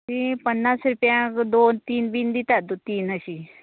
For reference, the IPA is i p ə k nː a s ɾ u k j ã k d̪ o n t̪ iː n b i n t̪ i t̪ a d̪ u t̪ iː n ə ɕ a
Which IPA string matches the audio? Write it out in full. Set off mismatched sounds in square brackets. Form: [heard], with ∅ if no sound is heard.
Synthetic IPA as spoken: i p ə [∅] nː a s ɾ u [p] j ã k d̪ o n t̪ iː n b i n [d̪] i t̪ a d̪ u t̪ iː n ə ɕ [i]